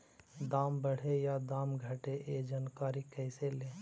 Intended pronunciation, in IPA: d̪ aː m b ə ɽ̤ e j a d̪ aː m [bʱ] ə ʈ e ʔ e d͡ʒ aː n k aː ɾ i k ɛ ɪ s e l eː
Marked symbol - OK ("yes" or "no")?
no